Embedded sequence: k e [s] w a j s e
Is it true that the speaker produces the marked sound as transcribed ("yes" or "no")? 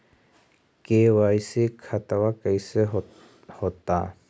no